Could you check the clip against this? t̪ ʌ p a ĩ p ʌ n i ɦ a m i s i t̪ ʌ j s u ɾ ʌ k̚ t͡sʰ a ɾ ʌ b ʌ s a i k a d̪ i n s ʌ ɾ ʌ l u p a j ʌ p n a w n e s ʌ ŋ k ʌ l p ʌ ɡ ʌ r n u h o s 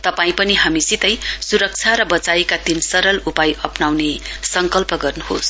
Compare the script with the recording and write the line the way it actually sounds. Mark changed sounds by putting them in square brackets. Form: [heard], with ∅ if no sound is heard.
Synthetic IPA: t̪ ʌ p a ĩ p ʌ n i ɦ a m i s i t̪ ʌ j s u ɾ ʌ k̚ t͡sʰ a ɾ ʌ b ʌ [t͡s] a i k a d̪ i n s ʌ ɾ ʌ l u p a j ʌ p n a w n e s ʌ ŋ k ʌ l p ʌ ɡ ʌ r n u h o s